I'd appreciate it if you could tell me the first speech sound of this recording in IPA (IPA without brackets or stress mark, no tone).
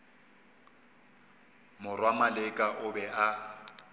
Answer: m